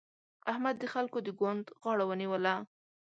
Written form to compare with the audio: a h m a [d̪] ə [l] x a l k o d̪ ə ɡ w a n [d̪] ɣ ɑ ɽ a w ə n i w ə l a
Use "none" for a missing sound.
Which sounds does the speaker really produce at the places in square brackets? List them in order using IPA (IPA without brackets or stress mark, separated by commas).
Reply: d̪ː, none, d̪